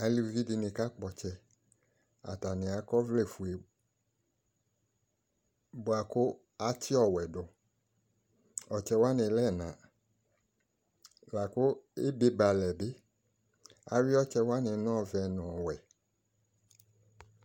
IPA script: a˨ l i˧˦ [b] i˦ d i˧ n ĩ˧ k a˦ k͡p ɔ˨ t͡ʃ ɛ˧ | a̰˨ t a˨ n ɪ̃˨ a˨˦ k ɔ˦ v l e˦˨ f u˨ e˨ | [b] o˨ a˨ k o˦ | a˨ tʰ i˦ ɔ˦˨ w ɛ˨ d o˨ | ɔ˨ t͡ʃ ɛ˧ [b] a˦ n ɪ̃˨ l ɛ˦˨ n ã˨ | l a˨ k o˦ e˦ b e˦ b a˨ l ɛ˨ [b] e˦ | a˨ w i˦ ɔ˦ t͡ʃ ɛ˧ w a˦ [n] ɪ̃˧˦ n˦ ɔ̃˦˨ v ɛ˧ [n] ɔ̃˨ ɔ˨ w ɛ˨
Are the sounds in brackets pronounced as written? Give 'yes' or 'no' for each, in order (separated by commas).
no, yes, no, yes, yes, yes